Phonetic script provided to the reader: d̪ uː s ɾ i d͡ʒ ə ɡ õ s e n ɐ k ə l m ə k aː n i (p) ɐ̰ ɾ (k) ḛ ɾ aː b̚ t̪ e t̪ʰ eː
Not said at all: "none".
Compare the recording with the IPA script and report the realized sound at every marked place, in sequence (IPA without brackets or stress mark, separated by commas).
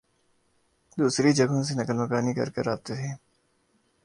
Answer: k, k